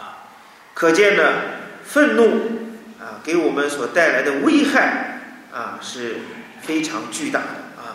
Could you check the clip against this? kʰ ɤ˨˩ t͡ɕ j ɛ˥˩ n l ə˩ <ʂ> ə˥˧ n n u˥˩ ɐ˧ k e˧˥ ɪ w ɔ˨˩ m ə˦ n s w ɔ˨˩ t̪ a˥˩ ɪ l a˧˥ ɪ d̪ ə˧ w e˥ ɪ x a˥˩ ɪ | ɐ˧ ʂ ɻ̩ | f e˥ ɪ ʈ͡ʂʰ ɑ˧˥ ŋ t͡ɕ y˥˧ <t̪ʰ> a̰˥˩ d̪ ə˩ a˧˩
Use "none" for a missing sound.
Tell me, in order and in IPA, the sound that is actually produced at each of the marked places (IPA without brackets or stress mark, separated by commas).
f, t̪